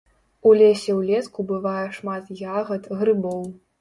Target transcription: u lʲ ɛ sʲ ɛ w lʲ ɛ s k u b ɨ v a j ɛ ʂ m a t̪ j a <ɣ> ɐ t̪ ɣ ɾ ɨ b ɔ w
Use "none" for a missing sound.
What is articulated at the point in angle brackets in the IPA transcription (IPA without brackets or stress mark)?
ɣ